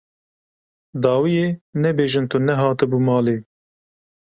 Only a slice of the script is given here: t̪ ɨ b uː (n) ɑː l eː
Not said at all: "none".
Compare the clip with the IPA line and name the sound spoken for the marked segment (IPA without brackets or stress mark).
m